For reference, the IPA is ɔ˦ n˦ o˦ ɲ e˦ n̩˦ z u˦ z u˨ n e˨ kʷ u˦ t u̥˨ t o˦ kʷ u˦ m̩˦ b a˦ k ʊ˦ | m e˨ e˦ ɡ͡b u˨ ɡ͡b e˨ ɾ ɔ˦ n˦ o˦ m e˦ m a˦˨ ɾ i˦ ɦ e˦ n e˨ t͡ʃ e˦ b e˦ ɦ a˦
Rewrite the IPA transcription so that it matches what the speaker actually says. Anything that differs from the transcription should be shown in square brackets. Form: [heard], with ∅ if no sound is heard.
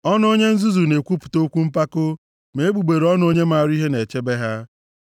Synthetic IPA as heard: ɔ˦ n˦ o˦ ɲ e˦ n̩˦ z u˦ z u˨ n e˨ kʷ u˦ [p] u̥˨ t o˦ kʷ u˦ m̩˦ [p] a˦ k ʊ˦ | m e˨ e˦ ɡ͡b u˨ ɡ͡b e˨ ɾ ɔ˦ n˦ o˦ [ɲ] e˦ m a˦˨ ɾ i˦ ɦ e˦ n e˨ t͡ʃ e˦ b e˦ ɦ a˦

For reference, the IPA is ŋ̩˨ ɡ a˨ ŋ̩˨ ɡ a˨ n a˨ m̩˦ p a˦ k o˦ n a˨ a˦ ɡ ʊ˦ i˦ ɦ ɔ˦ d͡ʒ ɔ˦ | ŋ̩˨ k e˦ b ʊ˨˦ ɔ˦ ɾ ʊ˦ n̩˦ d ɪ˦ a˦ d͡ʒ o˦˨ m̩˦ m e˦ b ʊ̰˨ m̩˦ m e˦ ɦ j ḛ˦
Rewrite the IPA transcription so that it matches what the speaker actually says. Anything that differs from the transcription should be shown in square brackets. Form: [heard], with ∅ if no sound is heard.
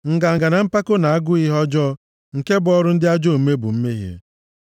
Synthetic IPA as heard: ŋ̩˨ ɡ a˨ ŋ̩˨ ɡ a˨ n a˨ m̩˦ p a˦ k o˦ n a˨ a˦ ɡ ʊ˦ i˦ ɦ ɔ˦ d͡ʒ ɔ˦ | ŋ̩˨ k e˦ b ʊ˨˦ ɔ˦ ɾ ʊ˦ n̩˦ d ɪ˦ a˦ d͡ʒ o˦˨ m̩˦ m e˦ b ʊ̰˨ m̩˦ m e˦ ɦ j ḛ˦

